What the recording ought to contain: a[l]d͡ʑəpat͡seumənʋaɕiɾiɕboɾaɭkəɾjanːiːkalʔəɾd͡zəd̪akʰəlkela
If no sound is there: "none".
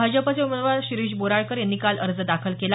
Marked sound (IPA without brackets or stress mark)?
none